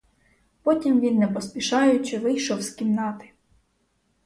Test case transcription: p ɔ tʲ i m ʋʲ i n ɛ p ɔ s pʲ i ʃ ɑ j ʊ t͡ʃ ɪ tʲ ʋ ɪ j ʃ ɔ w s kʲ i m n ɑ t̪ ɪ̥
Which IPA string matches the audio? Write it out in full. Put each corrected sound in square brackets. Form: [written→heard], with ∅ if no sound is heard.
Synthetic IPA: p ɔ tʲ i m ʋʲ i [n→nː] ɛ p ɔ s pʲ i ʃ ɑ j ʊ t͡ʃ ɪ [tʲ→∅] ʋ ɪ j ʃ ɔ w s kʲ i m n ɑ t̪ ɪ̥

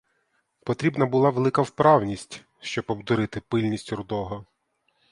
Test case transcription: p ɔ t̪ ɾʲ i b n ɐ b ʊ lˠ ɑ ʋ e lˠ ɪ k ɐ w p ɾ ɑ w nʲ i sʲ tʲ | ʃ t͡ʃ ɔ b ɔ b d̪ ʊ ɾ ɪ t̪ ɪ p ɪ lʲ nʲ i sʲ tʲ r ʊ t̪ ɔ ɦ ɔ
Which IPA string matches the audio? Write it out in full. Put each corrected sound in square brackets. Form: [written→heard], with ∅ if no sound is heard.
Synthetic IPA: p ɔ t̪ ɾʲ i b n ɐ b ʊ lˠ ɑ ʋ e lˠ ɪ k ɐ w p ɾ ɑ w nʲ i sʲ tʲ | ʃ t͡ʃ ɔ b ɔ b d̪ ʊ ɾ ɪ t̪ ɪ p ɪ lʲ nʲ i sʲ tʲ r ʊ [t̪→d̪] ɔ ɦ ɔ

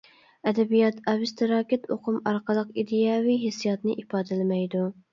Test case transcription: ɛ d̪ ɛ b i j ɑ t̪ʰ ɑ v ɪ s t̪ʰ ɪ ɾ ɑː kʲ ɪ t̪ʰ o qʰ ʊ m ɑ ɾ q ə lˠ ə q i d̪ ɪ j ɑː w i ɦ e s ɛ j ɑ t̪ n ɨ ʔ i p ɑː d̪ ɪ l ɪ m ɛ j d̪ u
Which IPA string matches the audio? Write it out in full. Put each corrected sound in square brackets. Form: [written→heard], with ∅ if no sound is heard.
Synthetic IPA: ɛ d̪ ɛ b i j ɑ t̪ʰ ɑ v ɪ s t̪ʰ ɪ ɾ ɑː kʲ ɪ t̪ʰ o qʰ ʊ m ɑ ɾ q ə lˠ ə q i d̪ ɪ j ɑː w i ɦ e s [ɛ→i] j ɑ t̪ n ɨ ʔ i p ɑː d̪ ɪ l ɪ m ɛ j d̪ u

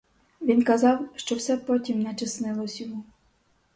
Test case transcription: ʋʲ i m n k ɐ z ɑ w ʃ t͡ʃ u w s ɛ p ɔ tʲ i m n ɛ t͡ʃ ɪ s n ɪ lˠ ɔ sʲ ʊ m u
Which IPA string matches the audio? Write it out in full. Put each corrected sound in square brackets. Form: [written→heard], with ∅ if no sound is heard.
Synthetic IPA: ʋʲ i [m→∅] n k ɐ z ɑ w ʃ t͡ʃ [u→ɔ] w s ɛ p ɔ tʲ i m n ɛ t͡ʃ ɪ s n ɪ lˠ ɔ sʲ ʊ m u

